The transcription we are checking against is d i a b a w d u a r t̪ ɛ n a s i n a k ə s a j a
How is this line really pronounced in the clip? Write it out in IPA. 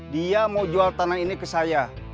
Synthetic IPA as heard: d i a m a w d͡ʒ u a l t̪ a n a i n i k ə s a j a